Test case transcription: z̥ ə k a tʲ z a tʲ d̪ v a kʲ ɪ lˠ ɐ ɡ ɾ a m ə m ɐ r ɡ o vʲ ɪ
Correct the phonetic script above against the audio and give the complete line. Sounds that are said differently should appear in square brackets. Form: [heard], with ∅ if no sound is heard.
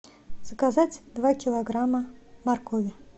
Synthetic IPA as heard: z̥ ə k a [∅] z a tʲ d̪ v a kʲ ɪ lˠ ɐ ɡ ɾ a m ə m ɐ r [k] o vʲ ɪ